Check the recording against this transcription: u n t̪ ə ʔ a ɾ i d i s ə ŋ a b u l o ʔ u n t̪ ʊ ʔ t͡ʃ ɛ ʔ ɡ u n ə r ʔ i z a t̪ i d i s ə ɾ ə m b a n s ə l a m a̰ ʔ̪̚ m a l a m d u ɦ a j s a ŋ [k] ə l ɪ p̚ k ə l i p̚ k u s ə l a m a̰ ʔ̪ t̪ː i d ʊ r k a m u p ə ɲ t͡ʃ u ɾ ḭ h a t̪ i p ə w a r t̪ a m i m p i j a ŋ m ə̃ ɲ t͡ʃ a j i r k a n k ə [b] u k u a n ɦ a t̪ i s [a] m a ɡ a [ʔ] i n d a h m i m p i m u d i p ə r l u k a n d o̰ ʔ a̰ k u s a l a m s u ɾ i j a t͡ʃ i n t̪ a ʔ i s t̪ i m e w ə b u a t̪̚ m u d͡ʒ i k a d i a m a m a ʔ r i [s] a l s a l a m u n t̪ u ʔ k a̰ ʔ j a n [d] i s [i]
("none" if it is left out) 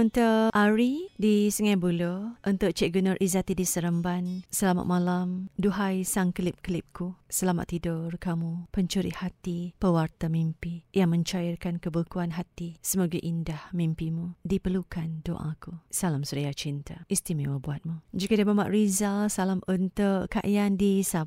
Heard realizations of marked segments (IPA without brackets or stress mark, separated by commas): k, b, ə, ʔ, z, d, a